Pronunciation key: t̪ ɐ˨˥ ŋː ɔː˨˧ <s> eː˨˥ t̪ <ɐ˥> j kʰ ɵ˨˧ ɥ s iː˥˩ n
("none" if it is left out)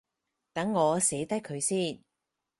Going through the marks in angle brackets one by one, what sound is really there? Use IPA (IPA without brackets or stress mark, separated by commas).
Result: s, ɐ˥